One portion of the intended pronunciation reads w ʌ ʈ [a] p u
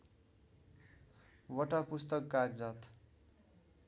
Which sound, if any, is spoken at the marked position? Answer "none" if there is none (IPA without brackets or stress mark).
a